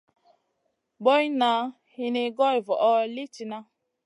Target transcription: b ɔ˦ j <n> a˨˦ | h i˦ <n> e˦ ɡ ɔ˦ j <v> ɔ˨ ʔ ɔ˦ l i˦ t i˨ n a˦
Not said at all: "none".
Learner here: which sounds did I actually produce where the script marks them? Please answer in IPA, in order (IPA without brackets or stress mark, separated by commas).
n, n, v